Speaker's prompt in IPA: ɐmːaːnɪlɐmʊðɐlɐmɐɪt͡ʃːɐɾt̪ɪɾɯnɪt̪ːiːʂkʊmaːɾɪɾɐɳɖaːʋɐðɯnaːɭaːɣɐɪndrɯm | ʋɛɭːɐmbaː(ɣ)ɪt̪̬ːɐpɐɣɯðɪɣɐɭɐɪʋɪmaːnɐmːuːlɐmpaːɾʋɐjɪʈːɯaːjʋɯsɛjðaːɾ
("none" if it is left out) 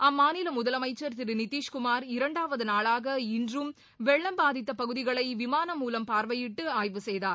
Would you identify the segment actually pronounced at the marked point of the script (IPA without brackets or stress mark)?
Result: ð